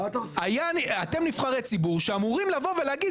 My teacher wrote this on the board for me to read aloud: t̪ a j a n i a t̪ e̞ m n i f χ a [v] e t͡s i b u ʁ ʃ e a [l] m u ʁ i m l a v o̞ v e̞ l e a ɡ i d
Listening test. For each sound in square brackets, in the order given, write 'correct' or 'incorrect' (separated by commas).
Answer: incorrect, incorrect